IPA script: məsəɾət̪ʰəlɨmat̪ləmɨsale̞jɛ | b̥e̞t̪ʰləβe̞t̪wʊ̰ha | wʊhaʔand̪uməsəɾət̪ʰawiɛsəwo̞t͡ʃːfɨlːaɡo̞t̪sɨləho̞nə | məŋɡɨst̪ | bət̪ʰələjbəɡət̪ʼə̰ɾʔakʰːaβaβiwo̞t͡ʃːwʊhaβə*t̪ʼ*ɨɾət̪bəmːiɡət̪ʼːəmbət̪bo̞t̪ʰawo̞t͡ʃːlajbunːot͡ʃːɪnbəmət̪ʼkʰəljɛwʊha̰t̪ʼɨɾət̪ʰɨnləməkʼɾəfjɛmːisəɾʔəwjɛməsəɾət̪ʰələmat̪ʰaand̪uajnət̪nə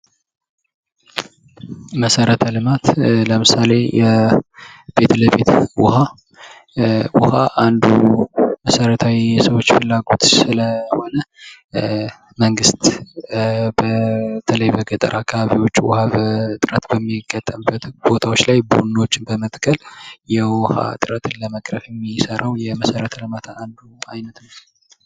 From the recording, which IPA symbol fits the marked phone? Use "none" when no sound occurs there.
t̪ʼ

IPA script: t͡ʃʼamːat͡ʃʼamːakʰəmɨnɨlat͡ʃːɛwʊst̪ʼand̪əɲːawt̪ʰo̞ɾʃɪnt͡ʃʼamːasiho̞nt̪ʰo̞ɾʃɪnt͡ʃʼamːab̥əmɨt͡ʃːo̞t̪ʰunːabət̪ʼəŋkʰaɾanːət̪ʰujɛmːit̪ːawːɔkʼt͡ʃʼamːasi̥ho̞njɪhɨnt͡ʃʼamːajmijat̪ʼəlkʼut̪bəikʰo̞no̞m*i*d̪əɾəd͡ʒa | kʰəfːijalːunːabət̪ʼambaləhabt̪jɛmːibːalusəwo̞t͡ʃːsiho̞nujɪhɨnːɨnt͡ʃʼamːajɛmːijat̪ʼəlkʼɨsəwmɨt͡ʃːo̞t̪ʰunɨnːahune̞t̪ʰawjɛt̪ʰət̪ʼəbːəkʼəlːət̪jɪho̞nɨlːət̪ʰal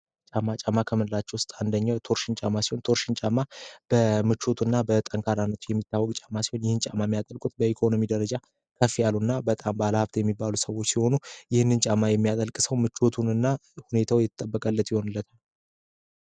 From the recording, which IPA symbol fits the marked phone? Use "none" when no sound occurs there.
i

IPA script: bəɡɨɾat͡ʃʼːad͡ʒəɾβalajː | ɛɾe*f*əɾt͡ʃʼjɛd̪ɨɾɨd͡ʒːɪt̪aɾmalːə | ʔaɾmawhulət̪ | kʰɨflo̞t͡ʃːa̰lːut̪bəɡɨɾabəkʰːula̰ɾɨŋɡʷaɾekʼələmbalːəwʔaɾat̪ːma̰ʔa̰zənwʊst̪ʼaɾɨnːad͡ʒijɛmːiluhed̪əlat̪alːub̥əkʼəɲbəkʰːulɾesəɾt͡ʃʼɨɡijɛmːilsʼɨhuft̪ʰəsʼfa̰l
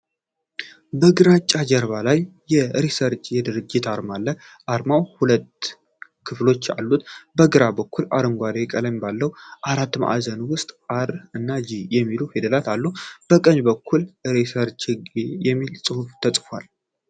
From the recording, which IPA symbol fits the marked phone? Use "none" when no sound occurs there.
s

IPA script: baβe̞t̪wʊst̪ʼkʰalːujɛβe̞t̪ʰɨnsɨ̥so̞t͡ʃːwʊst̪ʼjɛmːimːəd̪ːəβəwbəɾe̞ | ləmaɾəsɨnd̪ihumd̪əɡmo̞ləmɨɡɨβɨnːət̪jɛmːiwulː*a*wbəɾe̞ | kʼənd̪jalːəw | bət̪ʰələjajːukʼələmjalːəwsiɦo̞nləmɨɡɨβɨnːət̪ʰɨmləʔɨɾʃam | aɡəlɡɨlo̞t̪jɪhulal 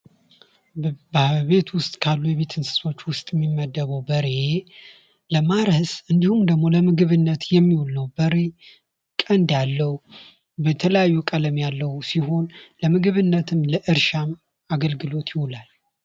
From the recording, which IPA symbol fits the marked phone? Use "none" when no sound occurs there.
ə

